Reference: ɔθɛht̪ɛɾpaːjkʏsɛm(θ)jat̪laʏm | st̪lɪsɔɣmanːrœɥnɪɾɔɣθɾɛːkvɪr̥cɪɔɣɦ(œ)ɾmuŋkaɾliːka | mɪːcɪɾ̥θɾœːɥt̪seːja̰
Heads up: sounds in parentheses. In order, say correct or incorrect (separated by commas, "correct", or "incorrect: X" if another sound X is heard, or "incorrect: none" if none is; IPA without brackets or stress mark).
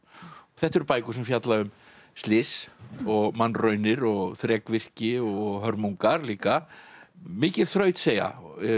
incorrect: f, correct